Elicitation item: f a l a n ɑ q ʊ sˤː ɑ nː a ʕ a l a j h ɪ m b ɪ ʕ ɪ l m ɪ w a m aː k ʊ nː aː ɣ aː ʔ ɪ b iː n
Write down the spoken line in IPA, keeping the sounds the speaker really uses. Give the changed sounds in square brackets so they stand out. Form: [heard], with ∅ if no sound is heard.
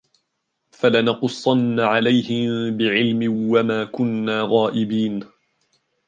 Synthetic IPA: f a l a n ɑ q ʊ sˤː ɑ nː a ʕ a l a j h ɪ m b ɪ ʕ ɪ l m ɪ w a m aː k ʊ nː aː ɣ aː ʔ ɪ b iː n